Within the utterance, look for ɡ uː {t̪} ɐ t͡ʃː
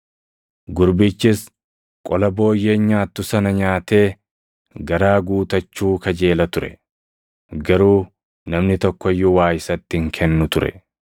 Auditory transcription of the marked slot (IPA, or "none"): t̪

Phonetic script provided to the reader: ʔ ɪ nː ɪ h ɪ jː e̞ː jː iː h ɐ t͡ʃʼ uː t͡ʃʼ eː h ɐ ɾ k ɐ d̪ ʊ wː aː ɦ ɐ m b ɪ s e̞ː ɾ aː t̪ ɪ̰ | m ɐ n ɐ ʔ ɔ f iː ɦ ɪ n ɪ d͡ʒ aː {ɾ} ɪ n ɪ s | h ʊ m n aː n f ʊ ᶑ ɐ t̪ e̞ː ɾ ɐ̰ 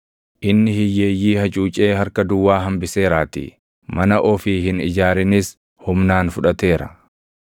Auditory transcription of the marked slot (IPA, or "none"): ɾ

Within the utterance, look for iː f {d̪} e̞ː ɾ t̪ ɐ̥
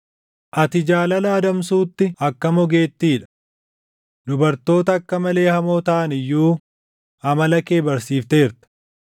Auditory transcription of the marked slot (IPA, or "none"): t̪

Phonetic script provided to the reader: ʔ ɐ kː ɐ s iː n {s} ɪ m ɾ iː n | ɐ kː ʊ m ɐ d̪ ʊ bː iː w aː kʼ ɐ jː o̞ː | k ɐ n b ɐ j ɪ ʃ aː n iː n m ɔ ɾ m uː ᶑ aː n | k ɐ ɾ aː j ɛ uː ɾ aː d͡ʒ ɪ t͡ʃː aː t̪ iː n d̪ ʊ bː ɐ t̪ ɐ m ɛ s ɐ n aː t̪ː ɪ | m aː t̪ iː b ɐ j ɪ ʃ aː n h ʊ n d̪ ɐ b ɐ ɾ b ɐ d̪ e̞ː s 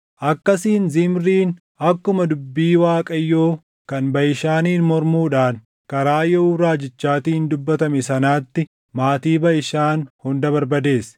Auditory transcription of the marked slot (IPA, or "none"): z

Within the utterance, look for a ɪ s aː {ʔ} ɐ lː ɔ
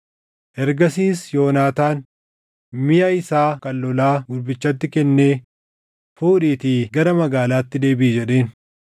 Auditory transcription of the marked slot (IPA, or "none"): k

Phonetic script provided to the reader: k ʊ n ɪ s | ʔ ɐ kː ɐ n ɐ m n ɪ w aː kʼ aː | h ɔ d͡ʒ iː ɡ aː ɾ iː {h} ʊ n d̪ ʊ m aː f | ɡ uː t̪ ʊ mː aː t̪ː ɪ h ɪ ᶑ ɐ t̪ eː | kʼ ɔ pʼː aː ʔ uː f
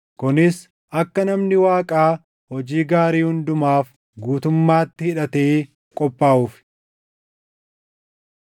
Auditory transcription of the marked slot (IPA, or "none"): h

